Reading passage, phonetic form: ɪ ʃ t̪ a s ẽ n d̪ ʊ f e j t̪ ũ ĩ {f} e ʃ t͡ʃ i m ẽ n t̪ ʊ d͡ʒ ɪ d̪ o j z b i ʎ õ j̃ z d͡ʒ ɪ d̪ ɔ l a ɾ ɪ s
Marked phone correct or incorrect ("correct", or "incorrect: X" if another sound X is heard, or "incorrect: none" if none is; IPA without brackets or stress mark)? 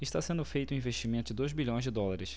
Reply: incorrect: v